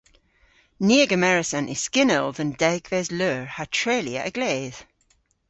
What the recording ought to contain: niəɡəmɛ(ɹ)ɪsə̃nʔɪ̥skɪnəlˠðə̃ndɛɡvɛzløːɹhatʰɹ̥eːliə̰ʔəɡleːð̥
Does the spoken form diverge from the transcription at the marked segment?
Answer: no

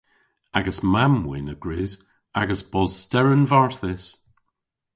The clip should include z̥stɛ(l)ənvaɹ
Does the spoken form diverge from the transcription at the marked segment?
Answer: yes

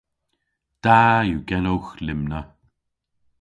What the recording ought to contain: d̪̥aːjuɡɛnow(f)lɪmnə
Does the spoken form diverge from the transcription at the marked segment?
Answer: yes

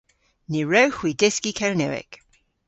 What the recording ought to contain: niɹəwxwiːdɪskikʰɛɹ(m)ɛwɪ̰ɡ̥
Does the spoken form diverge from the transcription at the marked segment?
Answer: yes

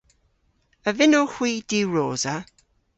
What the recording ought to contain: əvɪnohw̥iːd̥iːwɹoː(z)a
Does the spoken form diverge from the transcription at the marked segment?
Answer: no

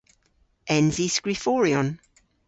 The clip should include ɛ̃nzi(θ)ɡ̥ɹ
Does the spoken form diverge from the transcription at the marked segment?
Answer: yes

